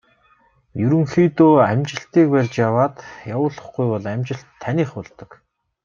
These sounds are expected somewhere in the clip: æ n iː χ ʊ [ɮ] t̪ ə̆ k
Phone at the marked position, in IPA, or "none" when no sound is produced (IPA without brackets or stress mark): ɮ